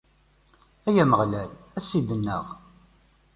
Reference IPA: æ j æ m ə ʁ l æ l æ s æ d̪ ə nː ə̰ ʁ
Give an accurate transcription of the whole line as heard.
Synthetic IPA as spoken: æ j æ m ə ʁ l æ l æ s i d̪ ə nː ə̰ ʁ